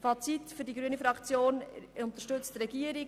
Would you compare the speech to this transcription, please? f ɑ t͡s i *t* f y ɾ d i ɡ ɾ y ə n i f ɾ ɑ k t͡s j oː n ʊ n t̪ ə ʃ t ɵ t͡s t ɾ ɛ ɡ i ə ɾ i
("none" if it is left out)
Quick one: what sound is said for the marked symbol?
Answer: t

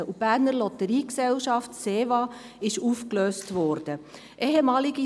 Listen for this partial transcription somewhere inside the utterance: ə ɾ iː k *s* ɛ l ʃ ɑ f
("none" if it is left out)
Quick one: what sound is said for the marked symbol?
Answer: s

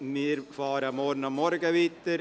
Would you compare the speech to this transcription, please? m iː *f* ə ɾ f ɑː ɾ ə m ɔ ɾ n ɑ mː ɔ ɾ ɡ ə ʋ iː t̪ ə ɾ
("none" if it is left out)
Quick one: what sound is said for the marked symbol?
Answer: none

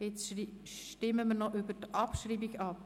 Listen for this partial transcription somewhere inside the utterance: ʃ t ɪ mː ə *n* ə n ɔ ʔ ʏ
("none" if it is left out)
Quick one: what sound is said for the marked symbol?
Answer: m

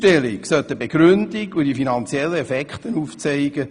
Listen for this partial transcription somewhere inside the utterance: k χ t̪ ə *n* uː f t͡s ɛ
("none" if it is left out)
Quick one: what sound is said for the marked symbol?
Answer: n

